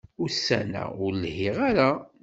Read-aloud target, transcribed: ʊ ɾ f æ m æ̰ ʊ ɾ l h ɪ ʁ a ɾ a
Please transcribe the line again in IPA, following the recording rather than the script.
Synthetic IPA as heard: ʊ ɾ s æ n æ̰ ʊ ɾ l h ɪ ʁ a ɾ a